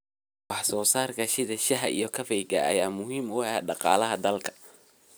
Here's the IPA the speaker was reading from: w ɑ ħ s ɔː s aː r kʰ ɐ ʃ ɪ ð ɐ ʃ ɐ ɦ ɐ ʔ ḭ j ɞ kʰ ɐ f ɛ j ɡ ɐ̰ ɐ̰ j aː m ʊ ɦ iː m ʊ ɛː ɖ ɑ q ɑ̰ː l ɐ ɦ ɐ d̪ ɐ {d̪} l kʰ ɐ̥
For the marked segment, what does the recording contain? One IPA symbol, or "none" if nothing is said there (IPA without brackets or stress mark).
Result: none